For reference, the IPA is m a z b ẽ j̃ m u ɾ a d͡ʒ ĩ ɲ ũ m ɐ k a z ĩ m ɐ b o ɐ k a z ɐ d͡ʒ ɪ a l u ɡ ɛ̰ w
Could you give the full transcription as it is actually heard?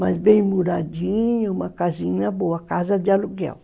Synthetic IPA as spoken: m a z b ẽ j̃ m u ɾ a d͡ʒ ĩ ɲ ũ m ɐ k a z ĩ ɲ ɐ b o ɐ k a z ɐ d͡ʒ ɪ a l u ɡ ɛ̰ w